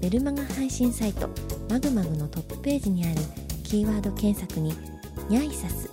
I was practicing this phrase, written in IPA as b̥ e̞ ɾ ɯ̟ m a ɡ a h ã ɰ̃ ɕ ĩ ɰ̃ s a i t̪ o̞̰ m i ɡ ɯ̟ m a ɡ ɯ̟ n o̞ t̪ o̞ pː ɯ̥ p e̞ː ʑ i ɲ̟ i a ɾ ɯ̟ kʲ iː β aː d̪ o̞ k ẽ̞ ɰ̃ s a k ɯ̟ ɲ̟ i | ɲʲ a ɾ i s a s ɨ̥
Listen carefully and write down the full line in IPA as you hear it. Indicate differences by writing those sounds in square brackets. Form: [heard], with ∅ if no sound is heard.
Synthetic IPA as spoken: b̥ e̞ ɾ ɯ̟ m a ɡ a h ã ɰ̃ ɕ ĩ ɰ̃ s a i t̪ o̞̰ m [a] ɡ ɯ̟ m a ɡ ɯ̟ n o̞ t̪ o̞ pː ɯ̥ p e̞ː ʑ i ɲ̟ i a ɾ ɯ̟ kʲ iː β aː d̪ o̞ k ẽ̞ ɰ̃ s a k ɯ̟ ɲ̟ i | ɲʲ a [∅] i s a s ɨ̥